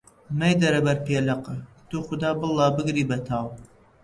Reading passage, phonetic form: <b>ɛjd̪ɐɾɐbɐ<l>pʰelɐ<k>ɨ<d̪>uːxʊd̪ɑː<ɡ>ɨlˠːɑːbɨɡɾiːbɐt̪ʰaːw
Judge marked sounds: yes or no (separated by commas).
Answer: no, no, no, no, no